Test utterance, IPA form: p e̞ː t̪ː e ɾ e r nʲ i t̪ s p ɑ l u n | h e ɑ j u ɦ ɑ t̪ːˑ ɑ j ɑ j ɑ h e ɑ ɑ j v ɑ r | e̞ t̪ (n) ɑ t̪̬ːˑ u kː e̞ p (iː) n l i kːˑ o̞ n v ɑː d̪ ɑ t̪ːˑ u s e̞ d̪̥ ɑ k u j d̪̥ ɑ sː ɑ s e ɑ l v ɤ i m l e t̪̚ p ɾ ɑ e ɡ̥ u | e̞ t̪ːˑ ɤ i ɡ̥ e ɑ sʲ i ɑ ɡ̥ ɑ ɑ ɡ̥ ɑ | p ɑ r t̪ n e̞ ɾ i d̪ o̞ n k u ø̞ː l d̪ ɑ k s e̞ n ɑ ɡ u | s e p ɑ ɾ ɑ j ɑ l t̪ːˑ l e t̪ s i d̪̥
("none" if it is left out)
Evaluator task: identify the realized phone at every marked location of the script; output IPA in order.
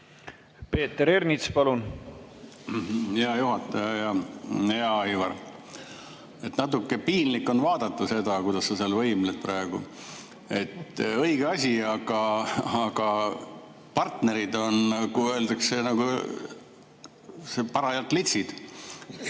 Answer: n, iː

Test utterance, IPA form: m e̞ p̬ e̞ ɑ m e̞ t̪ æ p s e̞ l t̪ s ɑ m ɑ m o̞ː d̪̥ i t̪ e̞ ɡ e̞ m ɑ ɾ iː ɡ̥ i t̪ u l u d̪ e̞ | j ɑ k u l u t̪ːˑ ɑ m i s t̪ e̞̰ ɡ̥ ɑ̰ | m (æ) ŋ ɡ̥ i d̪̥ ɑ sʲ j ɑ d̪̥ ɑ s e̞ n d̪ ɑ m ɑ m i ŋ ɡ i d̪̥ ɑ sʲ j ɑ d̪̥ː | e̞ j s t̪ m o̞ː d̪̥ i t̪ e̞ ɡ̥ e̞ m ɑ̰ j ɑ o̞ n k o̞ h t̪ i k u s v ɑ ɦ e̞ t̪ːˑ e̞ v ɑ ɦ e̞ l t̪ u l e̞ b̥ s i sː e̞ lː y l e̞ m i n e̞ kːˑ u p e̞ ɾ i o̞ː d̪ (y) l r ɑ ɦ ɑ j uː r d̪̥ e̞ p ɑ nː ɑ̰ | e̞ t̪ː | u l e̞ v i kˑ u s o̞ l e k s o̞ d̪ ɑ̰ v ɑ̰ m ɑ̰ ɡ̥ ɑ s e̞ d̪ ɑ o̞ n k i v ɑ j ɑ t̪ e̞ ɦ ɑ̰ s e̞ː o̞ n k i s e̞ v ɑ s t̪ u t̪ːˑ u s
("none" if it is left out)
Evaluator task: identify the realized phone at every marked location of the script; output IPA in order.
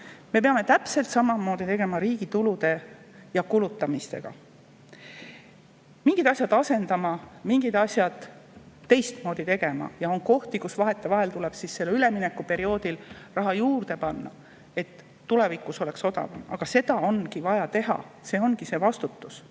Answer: i, i

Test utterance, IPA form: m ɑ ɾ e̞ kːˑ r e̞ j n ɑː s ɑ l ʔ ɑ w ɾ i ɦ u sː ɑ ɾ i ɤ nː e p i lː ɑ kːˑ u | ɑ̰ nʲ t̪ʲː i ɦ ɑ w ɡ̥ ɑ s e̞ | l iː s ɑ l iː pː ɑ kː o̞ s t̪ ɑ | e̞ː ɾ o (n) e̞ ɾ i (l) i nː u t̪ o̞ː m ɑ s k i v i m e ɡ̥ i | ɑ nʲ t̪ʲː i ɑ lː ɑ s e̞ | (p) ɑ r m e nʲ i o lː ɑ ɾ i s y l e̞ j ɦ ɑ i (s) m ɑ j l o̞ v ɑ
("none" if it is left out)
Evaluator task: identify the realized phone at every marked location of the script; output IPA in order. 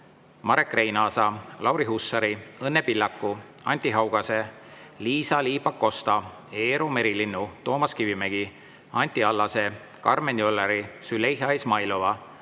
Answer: m, l, k, s

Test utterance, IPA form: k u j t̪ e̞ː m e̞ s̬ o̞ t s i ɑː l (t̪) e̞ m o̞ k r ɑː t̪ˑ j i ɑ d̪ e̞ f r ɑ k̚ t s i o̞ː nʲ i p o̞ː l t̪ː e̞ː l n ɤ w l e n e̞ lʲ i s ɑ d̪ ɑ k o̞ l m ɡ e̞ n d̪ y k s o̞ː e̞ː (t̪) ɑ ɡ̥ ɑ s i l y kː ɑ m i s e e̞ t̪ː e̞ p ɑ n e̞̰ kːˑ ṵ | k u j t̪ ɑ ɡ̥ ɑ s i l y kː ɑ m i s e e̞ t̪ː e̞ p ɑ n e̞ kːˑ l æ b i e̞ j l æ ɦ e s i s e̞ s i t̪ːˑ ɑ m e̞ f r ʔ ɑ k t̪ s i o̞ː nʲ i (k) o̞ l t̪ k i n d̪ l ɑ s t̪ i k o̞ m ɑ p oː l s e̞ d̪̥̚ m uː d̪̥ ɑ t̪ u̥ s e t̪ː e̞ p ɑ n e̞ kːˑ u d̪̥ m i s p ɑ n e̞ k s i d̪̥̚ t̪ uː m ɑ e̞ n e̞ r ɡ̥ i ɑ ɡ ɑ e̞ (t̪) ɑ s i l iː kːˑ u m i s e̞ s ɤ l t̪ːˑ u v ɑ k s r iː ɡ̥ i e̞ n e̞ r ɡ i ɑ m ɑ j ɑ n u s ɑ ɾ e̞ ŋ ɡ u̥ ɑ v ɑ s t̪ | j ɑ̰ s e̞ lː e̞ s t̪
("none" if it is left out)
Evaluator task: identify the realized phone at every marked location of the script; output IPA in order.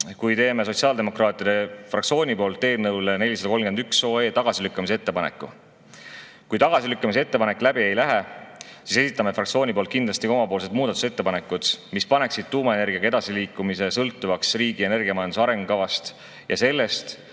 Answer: d̪, t̪, p, d̪

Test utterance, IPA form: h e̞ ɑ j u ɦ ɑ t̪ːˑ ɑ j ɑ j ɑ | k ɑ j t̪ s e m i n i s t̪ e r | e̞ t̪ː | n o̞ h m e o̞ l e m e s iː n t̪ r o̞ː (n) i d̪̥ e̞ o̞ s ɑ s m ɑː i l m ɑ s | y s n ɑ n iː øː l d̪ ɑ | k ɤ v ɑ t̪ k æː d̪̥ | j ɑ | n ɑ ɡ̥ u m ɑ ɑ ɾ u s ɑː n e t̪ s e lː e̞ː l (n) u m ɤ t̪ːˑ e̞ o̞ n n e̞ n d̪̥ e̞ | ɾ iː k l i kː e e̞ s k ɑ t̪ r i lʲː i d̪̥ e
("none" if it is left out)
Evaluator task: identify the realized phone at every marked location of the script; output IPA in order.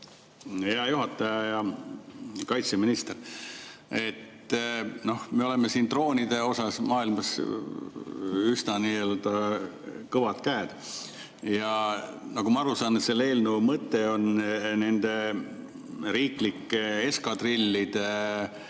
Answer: n, n

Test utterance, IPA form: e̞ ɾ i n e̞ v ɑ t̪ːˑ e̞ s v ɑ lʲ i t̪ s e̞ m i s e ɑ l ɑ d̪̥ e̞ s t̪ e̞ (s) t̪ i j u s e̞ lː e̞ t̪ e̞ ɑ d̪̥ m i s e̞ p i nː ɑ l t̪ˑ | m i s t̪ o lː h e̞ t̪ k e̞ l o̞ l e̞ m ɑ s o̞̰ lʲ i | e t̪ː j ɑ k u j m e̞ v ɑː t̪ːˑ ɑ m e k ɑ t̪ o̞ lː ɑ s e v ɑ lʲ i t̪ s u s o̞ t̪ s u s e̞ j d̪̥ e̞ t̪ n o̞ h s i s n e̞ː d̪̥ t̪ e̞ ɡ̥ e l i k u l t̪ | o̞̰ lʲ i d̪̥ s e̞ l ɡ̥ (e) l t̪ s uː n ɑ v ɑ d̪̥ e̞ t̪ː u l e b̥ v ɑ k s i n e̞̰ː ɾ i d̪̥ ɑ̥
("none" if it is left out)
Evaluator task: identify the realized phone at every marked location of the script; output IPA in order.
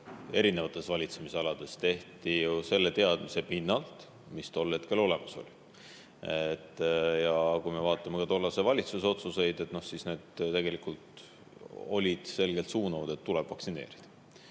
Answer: h, e

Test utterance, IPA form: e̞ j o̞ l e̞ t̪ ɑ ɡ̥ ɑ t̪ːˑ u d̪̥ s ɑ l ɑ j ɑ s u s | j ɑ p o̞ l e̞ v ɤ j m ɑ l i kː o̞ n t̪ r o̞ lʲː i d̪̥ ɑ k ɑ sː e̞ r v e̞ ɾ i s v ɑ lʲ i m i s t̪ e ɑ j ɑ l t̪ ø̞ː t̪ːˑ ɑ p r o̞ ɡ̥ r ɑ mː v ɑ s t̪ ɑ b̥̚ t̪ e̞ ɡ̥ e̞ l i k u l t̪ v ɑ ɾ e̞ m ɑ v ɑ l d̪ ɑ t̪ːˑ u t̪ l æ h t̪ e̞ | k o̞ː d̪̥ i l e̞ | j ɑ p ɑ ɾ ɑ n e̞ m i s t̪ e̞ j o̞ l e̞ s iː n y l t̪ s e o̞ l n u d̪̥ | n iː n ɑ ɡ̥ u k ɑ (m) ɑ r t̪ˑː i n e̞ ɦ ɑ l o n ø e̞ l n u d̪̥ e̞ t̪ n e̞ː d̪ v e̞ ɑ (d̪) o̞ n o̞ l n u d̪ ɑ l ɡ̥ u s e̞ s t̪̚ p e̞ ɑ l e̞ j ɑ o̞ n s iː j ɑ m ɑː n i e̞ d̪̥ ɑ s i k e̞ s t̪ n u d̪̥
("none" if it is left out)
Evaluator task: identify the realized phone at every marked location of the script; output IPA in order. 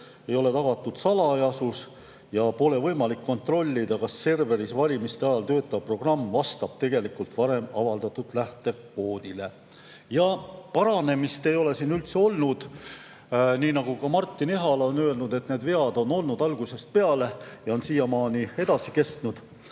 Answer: m, d̪

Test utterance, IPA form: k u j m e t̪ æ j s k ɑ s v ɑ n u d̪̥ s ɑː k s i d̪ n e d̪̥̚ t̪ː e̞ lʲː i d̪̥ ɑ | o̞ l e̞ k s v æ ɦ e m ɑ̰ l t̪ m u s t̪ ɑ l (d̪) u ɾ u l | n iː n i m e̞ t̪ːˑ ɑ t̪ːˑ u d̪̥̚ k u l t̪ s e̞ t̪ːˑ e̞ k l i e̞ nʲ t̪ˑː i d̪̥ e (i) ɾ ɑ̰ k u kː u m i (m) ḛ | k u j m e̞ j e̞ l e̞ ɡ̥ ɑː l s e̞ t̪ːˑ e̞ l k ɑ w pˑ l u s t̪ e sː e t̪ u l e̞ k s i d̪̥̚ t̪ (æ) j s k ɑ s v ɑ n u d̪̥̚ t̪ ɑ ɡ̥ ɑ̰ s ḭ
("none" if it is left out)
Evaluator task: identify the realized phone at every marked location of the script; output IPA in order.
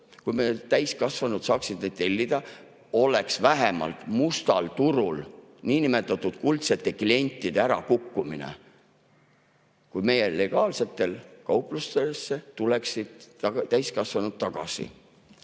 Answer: t̪, æ, n, æ

